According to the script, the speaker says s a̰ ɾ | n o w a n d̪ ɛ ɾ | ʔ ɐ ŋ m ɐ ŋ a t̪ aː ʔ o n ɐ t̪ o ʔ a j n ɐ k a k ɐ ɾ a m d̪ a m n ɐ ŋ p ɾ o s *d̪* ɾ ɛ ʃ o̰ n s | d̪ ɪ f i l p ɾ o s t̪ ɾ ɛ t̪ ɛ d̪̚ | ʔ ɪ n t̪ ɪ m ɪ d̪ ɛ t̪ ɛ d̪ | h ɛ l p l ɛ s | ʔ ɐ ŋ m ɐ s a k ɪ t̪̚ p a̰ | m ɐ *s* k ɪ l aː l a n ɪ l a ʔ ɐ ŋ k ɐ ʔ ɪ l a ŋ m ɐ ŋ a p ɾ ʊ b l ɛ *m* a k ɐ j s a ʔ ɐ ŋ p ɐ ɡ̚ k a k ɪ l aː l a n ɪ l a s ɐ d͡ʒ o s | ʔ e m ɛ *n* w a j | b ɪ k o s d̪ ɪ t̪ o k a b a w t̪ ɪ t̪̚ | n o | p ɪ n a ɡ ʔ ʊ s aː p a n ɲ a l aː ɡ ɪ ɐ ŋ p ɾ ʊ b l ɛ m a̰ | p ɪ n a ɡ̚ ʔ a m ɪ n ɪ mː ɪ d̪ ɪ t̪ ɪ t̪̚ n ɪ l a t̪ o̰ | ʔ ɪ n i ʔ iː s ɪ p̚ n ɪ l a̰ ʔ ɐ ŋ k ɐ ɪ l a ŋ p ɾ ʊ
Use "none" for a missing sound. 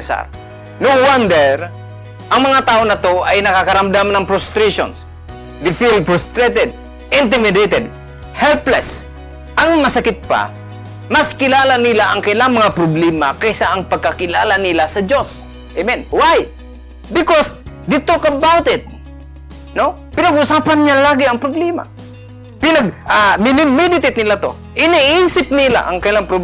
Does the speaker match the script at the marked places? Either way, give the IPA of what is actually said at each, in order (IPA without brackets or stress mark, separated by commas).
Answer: t̪, s, m, n